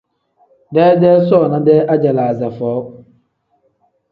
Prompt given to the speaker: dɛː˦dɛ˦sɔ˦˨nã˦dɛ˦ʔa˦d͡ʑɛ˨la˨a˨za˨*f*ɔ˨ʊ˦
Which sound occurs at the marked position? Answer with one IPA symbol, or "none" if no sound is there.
f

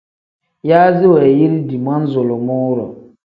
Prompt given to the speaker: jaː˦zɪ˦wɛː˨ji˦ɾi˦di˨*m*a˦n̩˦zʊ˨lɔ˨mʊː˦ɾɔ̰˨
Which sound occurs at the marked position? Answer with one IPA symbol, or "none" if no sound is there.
m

